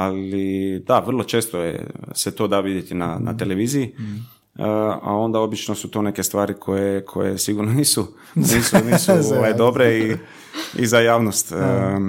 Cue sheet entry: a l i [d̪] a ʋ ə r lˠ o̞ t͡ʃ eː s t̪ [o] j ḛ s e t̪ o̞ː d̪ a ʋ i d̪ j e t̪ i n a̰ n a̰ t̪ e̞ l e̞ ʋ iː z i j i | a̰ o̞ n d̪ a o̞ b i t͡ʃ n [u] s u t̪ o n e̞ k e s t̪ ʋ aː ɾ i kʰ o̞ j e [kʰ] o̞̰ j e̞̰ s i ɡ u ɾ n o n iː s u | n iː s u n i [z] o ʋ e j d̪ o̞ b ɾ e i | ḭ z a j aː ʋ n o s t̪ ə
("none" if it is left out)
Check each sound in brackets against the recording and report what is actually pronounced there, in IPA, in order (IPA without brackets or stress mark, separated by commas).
d̪, o, o, kʰ, s